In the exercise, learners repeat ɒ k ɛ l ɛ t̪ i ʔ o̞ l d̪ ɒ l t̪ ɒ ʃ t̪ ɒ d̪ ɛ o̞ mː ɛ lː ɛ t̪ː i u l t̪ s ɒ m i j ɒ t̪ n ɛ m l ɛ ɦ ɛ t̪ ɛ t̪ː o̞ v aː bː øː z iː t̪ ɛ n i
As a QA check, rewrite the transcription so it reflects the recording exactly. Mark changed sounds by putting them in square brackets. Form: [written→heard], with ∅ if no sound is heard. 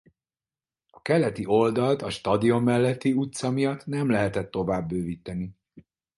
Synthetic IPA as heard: ɒ k ɛ l ɛ t̪ i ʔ o̞ l d̪ ɒ l t̪ ɒ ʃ t̪ ɒ d̪ [ɛ→i] o̞ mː ɛ lː ɛ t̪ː i u [l→∅] t̪ s ɒ m i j ɒ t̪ n ɛ m l ɛ ɦ ɛ t̪ ɛ t̪ː o̞ v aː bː øː [z→v] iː t̪ ɛ n i